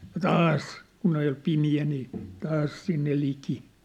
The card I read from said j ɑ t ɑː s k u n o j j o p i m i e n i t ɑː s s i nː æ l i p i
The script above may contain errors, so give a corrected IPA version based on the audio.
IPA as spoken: j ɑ t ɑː s k u n o j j o p i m i æ n iː t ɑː s s i nː e l i k i